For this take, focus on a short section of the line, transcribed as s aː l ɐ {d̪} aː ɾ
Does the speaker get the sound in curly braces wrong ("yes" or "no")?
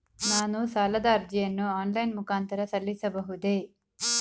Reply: no